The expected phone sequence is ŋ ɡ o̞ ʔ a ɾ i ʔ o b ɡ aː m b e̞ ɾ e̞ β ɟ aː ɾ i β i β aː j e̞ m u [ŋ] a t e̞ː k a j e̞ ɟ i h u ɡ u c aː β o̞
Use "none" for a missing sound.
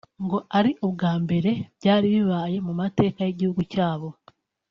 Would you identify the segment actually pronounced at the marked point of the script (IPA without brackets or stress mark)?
m